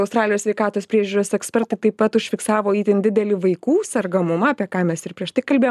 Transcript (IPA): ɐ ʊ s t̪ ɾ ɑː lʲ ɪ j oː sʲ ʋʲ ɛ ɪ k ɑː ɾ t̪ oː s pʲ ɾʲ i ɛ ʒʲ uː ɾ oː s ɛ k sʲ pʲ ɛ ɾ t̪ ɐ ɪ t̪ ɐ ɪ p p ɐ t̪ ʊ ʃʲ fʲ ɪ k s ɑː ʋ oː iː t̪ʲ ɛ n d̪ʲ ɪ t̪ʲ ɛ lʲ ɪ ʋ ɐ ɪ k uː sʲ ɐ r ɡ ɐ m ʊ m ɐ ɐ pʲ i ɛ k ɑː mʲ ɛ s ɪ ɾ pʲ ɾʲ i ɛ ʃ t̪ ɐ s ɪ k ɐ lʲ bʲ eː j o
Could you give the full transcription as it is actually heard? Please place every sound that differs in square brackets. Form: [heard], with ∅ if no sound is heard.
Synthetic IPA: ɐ ʊ s t̪ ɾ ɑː lʲ ɪ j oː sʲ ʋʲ ɛ ɪ k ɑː [∅] t̪ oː s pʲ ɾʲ i ɛ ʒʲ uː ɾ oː s ɛ k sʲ pʲ ɛ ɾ t̪ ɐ ɪ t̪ ɐ ɪ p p ɐ t̪ ʊ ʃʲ fʲ ɪ k s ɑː ʋ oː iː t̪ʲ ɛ n d̪ʲ ɪ [d̪ʲ] ɛ lʲ ɪ ʋ ɐ ɪ k uː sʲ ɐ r ɡ ɐ m ʊ m ɐ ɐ pʲ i ɛ k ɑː mʲ ɛ s ɪ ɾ pʲ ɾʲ i ɛ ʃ t̪ ɐ [∅] ɪ k ɐ lʲ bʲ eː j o